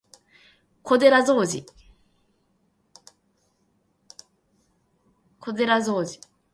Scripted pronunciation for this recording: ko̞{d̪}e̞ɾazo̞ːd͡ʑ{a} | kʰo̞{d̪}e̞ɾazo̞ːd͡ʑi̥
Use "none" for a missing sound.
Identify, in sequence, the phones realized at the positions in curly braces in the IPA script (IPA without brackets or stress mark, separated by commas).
d̪, i, d̪